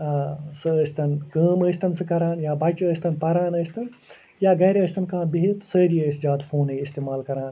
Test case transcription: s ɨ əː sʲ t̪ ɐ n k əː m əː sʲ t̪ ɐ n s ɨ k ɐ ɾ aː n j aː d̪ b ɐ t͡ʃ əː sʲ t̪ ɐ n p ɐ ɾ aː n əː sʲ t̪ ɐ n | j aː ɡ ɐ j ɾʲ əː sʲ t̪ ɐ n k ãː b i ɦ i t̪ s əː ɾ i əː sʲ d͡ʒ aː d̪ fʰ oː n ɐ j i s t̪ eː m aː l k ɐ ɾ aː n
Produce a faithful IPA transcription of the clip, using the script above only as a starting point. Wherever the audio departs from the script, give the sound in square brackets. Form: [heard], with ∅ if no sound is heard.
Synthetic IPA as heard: s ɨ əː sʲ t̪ ɐ n k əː m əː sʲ t̪ ɐ n s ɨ k ɐ ɾ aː n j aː [∅] b ɐ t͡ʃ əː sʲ t̪ ɐ n p ɐ ɾ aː n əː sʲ t̪ ɐ n | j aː ɡ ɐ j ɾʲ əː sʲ t̪ ɐ n k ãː b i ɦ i t̪ s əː ɾ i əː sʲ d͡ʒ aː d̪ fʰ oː n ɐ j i s t̪ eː m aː l k ɐ ɾ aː n